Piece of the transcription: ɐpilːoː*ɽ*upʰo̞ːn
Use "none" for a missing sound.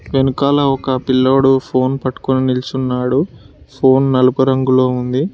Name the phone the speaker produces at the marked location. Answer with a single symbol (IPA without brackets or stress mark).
ɽ